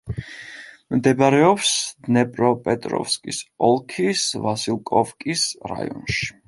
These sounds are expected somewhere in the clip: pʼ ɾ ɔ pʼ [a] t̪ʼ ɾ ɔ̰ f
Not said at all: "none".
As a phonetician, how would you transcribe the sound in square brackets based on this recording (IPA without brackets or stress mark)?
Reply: ɛ